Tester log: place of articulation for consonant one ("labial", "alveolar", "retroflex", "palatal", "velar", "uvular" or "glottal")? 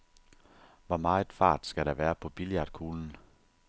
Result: labial